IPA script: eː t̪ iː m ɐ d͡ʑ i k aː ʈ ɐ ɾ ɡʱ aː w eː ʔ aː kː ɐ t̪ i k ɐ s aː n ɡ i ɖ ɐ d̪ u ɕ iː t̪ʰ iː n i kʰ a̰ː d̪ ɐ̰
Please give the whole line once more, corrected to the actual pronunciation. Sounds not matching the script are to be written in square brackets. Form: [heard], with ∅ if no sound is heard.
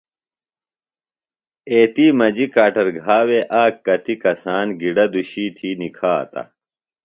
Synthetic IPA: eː t̪ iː m ɐ d͡ʑ i k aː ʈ ɐ ɾ ɡʱ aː w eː ʔ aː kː ɐ t̪ i k ɐ s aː n ɡ i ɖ ɐ d̪ u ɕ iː t̪ʰ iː n i kʰ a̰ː [t̪] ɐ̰